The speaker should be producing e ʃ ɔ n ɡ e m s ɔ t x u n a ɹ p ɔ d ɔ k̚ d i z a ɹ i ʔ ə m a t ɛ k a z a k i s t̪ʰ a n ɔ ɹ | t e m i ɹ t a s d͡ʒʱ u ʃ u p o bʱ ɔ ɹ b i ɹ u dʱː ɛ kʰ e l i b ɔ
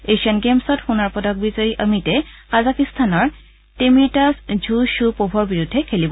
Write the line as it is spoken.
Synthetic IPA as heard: e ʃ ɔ n ɡ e m s ɔ t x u n a ɹ p ɔ d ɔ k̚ b i z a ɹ i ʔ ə m i t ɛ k a z a k i s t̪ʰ a n ɔ ɹ | t e m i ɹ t a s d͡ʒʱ u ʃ u p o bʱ ɔ ɹ b i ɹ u dʱː ɛ kʰ e l i b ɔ